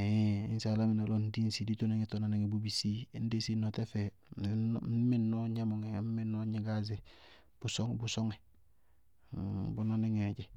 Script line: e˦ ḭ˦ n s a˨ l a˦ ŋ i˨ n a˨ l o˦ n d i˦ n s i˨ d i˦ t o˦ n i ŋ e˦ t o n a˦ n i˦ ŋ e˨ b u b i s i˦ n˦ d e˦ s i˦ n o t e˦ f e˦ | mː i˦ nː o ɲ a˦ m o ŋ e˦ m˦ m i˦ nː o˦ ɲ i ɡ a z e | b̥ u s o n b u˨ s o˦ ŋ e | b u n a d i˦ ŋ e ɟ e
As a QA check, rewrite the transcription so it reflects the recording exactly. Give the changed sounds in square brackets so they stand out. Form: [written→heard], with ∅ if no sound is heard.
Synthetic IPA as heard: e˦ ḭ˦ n s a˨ l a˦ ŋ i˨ n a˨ l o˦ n d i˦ n s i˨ d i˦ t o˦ n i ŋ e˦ t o n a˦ n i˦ ŋ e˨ b u b i s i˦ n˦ d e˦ s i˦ n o t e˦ f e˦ | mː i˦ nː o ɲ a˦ m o ŋ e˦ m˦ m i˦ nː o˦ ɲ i ɡ a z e | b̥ u s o [n→ŋ] b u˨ s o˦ ŋ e | b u n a [d→n] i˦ ŋ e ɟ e